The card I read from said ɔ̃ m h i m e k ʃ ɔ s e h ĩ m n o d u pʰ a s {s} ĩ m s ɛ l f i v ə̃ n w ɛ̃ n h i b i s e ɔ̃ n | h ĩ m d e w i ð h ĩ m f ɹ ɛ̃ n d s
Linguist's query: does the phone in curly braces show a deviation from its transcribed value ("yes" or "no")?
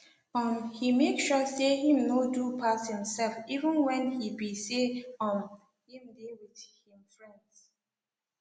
yes